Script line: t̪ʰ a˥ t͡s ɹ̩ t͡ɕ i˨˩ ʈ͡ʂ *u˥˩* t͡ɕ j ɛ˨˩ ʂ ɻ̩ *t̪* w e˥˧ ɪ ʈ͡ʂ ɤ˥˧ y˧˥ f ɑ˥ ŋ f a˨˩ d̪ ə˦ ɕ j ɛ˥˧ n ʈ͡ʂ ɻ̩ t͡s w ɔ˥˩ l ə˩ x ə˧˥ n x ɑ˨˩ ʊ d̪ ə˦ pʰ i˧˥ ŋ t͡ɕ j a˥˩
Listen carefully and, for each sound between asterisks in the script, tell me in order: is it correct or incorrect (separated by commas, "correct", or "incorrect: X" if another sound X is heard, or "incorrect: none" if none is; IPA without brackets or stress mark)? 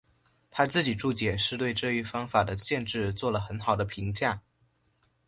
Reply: correct, correct